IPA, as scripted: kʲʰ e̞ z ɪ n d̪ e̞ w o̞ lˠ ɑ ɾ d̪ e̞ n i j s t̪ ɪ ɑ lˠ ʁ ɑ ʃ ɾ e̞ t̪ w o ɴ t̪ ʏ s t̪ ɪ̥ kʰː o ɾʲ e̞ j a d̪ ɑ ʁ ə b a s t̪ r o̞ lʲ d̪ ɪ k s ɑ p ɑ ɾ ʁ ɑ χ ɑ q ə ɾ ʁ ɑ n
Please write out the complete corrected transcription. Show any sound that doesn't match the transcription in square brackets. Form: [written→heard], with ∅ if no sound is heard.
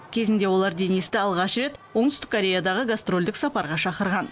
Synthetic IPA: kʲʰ e̞ z ɪ n d̪ e̞ w o̞ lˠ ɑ ɾ d̪ e̞ n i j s t̪ ɪ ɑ lˠ ʁ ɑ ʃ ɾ e̞ t̪ w o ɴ t̪ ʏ s t̪ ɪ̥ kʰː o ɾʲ e̞ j a d̪ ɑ ʁ ə [b→ɡ] a s t̪ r o̞ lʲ d̪ ɪ k s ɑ p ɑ ɾ ʁ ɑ [χ→ʃ] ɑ q ə ɾ ʁ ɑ n